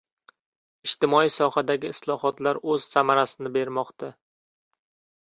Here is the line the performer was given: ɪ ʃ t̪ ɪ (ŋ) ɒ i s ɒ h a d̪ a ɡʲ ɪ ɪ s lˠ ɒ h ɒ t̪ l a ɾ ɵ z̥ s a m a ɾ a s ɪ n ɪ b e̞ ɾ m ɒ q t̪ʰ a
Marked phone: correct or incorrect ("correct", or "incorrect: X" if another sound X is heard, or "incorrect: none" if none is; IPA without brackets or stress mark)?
incorrect: m